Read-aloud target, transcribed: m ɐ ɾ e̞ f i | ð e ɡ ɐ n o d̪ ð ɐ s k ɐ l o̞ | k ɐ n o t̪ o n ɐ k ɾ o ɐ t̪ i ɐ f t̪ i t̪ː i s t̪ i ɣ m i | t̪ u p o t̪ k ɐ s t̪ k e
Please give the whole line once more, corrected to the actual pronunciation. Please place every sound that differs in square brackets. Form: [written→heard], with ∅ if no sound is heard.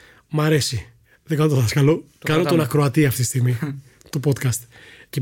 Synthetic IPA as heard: m ɐ ɾ e̞ [f→s] i | ð e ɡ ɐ n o [d̪→t̪] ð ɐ s k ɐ l o̞ | k ɐ n o t̪ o n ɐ k ɾ o ɐ t̪ i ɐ f t̪ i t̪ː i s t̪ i ɣ m i | t̪ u p o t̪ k ɐ s t̪ [k→c] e